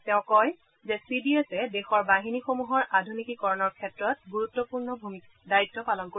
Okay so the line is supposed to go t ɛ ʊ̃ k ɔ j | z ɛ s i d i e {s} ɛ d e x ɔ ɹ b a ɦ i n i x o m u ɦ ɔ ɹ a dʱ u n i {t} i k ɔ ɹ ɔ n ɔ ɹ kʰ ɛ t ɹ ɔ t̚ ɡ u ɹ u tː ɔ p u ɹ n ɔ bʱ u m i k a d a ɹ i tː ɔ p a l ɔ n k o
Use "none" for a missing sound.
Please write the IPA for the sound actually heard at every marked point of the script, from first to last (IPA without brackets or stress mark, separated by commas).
s, k